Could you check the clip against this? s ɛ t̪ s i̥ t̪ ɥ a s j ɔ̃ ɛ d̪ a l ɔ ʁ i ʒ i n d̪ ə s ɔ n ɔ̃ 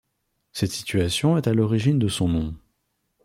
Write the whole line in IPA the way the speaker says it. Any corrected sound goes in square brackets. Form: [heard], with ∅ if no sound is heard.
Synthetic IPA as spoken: s ɛ t̪ s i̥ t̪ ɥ a s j ɔ̃ ɛ [t̪] a l ɔ ʁ i ʒ i n d̪ ə s [ɔ̃] n ɔ̃